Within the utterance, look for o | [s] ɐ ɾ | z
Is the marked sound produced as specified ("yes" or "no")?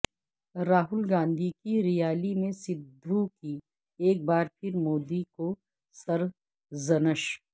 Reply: yes